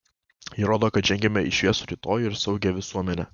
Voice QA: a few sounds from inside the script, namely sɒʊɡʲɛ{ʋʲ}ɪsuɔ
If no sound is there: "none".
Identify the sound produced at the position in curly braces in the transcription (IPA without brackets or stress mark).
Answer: ʋʲ